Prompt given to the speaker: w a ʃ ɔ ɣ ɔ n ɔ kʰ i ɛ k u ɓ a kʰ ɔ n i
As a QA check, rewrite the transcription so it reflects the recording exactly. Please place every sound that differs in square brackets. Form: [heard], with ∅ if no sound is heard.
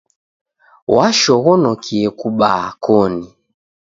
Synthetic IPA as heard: w a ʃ ɔ ɣ ɔ n ɔ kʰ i ɛ k u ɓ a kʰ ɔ n i